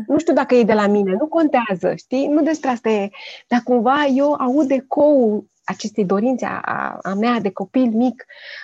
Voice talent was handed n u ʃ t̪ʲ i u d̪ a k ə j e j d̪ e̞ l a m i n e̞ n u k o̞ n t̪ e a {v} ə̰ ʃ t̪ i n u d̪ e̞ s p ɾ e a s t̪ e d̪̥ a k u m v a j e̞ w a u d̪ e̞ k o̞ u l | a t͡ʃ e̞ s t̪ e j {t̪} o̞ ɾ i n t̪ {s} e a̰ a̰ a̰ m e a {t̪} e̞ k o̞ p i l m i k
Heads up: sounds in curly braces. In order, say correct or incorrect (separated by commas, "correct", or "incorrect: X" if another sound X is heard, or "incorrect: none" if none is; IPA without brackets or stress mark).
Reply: incorrect: z, incorrect: d̪, correct, incorrect: d̪